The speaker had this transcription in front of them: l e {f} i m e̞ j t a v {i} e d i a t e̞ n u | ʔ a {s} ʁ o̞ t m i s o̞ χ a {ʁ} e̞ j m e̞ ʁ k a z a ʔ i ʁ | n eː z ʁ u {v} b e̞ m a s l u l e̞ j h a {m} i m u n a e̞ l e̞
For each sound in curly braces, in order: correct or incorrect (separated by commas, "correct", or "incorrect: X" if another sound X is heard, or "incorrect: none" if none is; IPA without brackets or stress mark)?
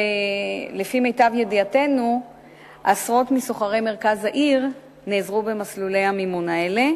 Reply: correct, incorrect: j, correct, correct, incorrect: none, correct